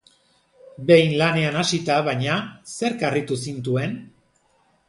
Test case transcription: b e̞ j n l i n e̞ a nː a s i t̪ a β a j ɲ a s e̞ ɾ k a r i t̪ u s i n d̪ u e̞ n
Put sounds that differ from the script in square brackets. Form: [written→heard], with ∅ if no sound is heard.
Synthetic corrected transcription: b e̞ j n l [i→a] n e̞ a [nː→n] a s i t̪ a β a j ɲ a s e̞ ɾ k a r i t̪ u s i n [d̪→t̪] u e̞ n